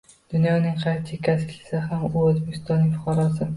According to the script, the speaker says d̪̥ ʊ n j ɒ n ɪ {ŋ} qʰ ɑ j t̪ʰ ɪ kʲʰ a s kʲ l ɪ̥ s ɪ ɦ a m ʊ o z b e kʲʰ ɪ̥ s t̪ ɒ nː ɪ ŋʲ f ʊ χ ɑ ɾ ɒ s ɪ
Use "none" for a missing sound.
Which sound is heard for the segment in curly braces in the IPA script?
ŋ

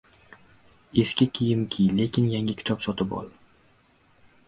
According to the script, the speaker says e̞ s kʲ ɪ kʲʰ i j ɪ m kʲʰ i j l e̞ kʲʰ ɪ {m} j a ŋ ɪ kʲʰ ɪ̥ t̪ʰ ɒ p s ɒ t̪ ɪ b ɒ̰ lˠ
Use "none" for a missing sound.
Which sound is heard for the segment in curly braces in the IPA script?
n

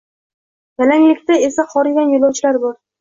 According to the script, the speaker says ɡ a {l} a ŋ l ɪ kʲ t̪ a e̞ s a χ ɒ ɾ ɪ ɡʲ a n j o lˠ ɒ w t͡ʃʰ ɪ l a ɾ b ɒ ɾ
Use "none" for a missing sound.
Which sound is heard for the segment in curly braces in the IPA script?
l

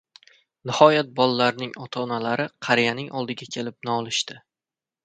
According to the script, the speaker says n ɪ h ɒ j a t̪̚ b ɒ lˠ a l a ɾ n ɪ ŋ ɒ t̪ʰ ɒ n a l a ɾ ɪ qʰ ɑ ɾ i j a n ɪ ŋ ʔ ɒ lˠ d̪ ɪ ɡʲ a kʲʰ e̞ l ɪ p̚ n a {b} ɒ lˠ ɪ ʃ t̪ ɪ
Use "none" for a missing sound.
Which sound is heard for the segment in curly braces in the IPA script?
none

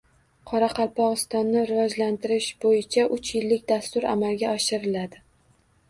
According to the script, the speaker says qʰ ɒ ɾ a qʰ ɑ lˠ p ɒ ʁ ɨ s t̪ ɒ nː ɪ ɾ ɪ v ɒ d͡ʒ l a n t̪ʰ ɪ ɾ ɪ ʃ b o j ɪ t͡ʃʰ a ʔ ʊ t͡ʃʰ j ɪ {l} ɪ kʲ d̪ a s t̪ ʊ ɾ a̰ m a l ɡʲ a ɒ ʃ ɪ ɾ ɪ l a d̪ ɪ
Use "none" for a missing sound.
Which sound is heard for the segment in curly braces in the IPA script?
lː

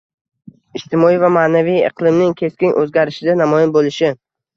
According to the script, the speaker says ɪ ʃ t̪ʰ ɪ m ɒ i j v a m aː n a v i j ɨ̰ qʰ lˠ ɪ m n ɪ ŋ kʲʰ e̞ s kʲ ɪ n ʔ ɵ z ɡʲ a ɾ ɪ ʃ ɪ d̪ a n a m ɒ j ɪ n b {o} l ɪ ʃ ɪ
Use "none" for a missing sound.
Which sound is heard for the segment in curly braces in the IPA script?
o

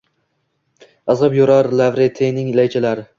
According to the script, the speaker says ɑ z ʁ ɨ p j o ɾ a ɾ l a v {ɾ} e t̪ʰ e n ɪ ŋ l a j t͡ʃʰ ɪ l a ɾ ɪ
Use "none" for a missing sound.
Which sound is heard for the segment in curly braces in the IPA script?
ɾ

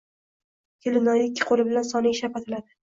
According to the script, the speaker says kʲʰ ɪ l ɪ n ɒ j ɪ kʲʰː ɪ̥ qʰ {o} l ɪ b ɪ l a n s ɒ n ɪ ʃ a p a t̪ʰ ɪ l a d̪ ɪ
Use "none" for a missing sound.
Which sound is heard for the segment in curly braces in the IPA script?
o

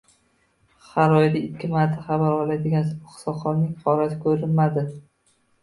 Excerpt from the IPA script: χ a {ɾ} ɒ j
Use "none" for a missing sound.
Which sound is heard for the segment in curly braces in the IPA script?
ɾ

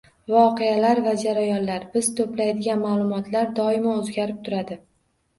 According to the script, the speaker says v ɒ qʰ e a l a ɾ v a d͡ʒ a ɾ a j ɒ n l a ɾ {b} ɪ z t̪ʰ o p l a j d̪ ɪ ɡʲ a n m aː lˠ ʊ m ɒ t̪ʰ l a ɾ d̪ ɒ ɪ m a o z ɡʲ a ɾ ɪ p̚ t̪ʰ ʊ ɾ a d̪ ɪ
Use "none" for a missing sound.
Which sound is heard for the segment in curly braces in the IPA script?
b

